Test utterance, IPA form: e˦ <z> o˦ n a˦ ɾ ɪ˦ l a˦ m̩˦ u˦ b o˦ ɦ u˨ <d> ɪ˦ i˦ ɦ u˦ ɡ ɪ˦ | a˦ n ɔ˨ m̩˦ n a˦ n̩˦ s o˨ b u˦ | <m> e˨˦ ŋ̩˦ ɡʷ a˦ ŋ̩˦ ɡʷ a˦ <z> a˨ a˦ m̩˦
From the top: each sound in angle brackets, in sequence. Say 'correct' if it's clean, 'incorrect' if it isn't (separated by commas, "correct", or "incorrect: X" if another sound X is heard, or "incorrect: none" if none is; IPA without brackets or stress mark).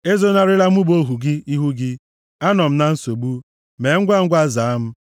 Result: correct, incorrect: ɡ, correct, correct